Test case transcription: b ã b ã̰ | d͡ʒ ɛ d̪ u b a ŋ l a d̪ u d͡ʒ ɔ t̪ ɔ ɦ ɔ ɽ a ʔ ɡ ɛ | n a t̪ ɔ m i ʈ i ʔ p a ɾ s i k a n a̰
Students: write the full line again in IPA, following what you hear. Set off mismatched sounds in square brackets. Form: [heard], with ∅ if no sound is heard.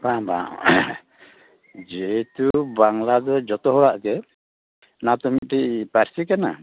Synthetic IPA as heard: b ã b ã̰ | d͡ʒ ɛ [t̪] u b a ŋ l a d̪ [ɔ] d͡ʒ ɔ t̪ ɔ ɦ ɔ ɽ a ʔ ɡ ɛ | n a t̪ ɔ m i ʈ i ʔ p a ɾ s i k a n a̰